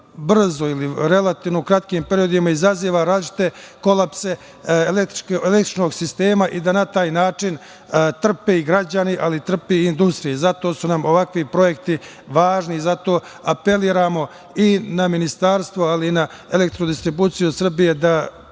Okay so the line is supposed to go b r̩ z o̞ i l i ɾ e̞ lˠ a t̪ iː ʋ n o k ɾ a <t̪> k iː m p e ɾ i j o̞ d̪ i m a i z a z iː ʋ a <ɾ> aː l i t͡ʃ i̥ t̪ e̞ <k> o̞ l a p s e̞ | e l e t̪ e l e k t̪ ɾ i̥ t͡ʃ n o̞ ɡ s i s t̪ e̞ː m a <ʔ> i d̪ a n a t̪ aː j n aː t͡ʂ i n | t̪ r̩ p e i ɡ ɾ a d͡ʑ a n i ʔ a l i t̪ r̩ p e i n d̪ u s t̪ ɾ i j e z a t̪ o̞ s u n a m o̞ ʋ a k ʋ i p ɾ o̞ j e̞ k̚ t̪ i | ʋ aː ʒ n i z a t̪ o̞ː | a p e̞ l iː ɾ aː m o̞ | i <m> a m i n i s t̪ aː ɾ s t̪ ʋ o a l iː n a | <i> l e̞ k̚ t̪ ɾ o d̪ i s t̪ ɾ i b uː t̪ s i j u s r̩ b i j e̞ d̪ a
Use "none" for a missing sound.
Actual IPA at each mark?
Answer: t̪, ɾ, k, ʔ, n, e

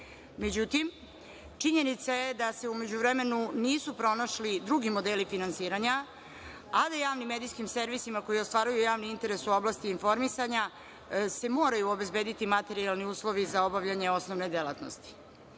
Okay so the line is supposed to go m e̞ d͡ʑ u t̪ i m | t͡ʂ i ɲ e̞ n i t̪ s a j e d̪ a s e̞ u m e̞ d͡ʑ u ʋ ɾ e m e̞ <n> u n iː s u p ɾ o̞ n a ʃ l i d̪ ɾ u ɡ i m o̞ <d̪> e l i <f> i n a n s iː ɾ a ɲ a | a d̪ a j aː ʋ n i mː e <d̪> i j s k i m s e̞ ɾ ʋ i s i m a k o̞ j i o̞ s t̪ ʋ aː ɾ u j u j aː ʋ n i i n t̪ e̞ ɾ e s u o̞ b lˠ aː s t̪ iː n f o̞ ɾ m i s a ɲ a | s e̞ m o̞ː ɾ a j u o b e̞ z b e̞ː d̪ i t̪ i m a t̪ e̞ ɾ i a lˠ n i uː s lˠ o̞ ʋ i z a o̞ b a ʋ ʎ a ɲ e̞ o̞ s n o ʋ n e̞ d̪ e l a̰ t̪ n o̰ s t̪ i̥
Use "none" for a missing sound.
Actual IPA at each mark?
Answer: n, d̪, f, d̪

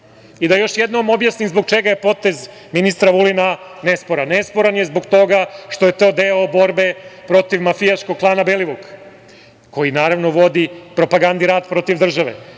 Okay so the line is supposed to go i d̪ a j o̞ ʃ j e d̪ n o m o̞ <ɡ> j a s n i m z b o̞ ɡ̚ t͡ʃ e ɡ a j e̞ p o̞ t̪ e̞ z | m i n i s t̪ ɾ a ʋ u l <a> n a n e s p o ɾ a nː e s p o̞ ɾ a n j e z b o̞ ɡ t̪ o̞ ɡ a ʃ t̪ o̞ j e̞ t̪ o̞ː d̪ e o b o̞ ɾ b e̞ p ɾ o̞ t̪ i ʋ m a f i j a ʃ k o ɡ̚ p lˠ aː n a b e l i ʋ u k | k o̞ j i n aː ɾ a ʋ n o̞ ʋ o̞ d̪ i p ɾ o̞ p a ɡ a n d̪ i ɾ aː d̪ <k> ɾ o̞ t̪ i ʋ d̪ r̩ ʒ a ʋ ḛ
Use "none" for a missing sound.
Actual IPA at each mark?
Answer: b, i, p

